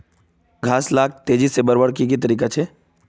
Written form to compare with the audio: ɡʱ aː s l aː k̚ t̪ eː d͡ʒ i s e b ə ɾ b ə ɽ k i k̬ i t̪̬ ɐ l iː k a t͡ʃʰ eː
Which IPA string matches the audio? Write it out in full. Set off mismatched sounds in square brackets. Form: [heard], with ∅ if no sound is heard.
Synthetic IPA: ɡʱ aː s l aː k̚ t̪ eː d͡ʒ i s e b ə ɾ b ə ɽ k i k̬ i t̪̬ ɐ [ɾ] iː k a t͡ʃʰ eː

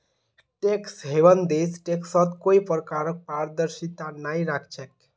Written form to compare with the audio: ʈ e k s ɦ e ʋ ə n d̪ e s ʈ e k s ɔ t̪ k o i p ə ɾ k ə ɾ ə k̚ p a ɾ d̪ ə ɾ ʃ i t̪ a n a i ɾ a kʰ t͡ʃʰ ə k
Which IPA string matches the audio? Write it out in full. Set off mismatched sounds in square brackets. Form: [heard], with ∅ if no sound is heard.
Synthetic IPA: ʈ e k s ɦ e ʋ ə n d̪ e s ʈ e k s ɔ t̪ k o i p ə ɾ k [a] ɾ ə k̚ p a ɾ d̪ ə ɾ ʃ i t̪ a n a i ɾ a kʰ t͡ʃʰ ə k

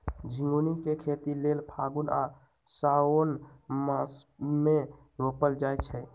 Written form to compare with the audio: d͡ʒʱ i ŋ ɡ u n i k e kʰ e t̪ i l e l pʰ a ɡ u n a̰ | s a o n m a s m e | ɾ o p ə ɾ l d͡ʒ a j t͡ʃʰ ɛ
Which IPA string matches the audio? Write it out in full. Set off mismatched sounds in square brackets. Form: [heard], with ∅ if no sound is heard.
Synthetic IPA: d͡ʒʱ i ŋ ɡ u n i k e kʰ e t̪ i l e l pʰ a ɡ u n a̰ | s a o n m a s m e | ɾ o p ə [∅] l d͡ʒ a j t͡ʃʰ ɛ

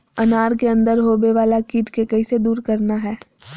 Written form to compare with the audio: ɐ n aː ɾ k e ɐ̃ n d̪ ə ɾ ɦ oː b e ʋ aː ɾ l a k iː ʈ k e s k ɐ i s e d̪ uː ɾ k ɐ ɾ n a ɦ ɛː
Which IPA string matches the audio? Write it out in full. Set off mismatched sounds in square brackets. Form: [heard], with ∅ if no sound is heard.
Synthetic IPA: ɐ n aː ɾ k e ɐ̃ n d̪ ə ɾ ɦ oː b e ʋ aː [∅] l a k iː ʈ k e [∅] k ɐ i s e d̪ uː ɾ k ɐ ɾ n a ɦ ɛː

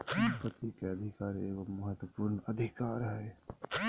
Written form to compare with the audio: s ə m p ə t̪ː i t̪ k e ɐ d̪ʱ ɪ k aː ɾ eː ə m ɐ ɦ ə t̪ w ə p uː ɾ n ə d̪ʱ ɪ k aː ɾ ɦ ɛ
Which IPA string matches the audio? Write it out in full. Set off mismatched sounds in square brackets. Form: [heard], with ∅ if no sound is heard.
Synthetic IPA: s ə m p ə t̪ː i [∅] k e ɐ d̪ʱ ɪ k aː ɾ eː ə m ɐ ɦ ə t̪ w ə p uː ɾ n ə d̪ʱ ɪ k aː ɾ ɦ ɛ

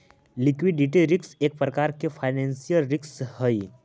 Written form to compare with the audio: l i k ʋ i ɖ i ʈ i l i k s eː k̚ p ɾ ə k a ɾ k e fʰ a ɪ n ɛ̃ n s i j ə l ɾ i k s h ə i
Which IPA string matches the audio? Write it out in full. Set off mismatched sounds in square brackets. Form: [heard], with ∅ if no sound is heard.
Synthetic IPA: l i k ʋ i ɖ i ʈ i [ɾ] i k s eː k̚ p ɾ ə k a ɾ k e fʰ a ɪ n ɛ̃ n s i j ə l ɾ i k s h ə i

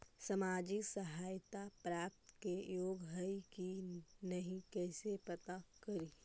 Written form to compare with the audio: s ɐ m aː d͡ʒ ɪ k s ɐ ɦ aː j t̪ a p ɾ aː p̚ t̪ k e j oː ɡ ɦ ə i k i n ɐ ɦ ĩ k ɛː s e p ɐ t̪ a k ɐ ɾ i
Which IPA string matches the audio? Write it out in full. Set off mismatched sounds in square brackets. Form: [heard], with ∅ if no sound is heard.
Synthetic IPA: s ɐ m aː d͡ʒ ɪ k s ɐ ɦ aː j t̪ a p ɾ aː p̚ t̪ k e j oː ɡ ɦ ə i k i n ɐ ɦ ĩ k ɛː s e p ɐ t̪ a k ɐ ɾ i

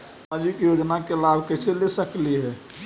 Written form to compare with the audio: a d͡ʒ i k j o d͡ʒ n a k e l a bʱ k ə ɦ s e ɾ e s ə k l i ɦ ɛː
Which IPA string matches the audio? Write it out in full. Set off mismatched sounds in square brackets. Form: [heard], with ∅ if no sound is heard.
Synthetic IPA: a d͡ʒ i k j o d͡ʒ n a k e l a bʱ k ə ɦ s e [l] e s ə k l i ɦ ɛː

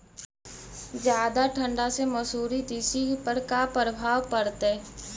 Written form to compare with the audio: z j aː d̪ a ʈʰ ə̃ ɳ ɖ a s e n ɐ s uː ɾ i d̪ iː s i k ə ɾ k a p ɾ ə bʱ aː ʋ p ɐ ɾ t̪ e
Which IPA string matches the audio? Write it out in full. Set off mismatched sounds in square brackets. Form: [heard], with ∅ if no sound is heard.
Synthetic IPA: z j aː d̪ a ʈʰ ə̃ ɳ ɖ a s e [m] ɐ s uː ɾ i d̪ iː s i [p] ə ɾ k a p ɾ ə bʱ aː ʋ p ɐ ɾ t̪ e

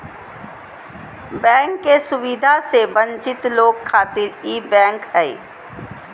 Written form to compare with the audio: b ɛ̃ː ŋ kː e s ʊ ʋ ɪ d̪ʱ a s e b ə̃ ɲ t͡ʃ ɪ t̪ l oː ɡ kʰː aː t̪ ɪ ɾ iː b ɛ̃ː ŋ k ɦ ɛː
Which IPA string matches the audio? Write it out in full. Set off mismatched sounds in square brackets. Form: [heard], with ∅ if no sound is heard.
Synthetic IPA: b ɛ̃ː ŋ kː e s ʊ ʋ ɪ d̪ʱ a s e b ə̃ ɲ t͡ʃ ɪ t̪ l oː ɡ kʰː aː t̪ ɪ ɾ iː b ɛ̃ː ŋ k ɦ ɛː

